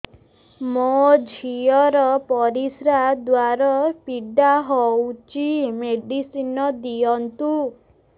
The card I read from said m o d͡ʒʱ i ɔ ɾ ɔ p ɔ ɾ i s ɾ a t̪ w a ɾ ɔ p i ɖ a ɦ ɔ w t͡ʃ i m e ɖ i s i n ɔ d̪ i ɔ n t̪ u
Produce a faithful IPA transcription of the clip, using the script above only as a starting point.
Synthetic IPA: m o d͡ʒʱ i ɔ ɾ ɔ p ɔ ɾ i s ɾ a d̪ w a ɾ ɔ p i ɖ a ɦ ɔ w t͡ʃ i m e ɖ i s i n ɔ d̪ i ɔ n t̪ u